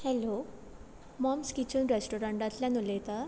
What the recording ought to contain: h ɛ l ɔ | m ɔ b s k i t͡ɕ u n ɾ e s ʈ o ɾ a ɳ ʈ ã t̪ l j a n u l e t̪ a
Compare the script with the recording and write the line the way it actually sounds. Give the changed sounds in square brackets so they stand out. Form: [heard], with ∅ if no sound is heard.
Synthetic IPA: h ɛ l [o] | m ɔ [m] s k i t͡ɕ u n ɾ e s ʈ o ɾ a ɳ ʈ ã t̪ l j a n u l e t̪ a